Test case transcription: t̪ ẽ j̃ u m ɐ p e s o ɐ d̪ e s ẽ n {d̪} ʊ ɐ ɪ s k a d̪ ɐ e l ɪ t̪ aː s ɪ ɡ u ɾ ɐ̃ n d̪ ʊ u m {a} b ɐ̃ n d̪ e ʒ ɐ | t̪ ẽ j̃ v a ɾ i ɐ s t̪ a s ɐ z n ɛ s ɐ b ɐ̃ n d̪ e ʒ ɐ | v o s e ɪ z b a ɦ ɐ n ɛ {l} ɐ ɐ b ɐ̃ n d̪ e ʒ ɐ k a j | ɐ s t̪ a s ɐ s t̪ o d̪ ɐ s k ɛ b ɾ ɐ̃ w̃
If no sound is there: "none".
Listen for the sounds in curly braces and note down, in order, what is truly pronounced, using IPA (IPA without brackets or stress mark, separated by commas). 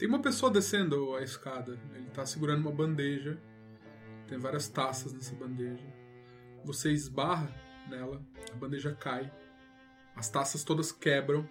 d̪, ɐ, l